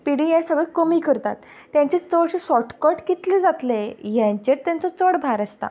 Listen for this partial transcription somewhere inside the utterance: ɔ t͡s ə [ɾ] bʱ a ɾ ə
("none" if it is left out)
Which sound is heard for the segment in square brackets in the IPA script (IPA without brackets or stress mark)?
ɽ